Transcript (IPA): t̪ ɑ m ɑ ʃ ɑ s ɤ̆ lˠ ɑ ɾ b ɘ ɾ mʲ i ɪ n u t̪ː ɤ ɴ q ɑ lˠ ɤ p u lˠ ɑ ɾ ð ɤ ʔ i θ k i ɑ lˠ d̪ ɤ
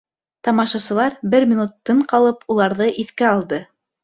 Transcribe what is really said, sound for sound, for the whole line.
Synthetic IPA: t̪ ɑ m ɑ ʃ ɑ s ɤ̆ lˠ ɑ ɾ b ɘ ɾ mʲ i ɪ n u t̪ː ɤ ɴ q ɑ lˠ ɤ p u lˠ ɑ ɾ ð ɤ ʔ i θ k æ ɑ lˠ d̪ ɤ